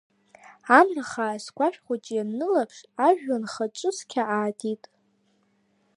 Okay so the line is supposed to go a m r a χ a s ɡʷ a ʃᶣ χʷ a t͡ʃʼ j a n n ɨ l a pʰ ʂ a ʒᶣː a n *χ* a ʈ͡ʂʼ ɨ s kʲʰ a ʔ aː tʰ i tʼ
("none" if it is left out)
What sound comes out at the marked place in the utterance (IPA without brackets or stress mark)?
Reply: χ